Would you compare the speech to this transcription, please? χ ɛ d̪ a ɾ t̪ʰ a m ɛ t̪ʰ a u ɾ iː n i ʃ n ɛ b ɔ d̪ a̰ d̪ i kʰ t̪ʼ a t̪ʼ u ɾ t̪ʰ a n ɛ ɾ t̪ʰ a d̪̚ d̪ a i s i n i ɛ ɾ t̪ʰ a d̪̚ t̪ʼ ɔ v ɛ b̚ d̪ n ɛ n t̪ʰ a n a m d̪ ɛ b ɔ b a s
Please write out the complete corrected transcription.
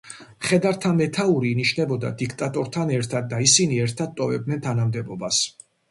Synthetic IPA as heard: χ ɛ d̪ a ɾ t̪ʰ a m ɛ t̪ʰ a u ɾ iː n i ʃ n ɛ b ɔ d̪ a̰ d̪ i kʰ t̪ʼ a t̪ʼ ɔ ɾ t̪ʰ a n ɛ ɾ t̪ʰ a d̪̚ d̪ a i s i n i ɛ ɾ t̪ʰ a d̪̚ t̪ʼ ɔ v ɛ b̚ d̪ n ɛ n t̪ʰ a n a m d̪ ɛ b ɔ b a s